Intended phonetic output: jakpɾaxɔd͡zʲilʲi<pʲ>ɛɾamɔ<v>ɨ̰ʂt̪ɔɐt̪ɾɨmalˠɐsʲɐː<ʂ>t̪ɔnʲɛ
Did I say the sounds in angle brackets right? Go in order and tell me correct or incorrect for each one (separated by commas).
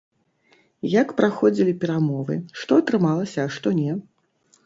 correct, correct, correct